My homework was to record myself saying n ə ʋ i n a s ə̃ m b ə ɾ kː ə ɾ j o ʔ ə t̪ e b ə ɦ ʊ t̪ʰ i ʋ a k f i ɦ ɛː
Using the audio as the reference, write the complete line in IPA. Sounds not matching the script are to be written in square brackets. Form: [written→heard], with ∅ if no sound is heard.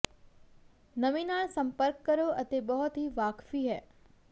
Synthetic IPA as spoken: n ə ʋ i n a s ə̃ m [b→p] ə ɾ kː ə ɾ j o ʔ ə t̪ e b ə ɦ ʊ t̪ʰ i ʋ a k f i ɦ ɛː